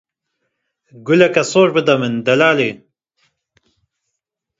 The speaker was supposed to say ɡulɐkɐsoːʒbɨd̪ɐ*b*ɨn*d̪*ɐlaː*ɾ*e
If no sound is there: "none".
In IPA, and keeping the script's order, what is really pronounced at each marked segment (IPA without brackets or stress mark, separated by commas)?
m, d̪, l